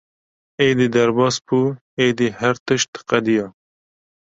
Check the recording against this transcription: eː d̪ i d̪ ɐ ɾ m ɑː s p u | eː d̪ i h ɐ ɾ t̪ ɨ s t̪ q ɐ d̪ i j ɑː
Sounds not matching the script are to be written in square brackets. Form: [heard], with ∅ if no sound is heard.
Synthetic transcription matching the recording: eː d̪ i d̪ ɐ ɾ [b] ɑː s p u | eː d̪ i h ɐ ɾ t̪ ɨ [ʃ] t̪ q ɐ d̪ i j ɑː